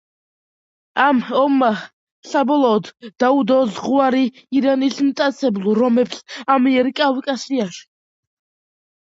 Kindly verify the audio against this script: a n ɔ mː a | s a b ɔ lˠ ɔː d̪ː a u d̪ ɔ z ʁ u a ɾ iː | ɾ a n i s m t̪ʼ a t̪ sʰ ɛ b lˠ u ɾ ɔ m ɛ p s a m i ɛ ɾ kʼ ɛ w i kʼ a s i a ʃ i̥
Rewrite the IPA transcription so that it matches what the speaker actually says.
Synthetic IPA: a m ɔ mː a | s a b ɔ lˠ ɔː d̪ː a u d̪ ɔ z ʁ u a ɾ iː | ɾ a n i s m t̪ʼ a t̪ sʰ ɛ b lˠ u ɾ ɔ m ɛ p s a m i ɛ ɾ kʼ a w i kʼ a s i a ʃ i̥